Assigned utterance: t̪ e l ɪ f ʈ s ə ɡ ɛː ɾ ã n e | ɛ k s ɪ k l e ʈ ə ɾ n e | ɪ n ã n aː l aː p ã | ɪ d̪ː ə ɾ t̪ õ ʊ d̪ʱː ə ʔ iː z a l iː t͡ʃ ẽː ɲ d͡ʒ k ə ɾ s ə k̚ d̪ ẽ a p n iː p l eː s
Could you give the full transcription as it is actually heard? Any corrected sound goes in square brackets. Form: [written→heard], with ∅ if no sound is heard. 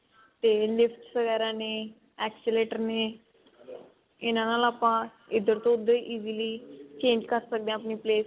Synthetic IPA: t̪ e l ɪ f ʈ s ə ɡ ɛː ɾ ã n e | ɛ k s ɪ [k→∅] l e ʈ ə ɾ n e | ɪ n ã n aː l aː p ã | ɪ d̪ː ə ɾ t̪ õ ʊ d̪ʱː ə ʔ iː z [a→i] l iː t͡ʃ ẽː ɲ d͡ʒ k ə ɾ s ə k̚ d̪ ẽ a p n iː p l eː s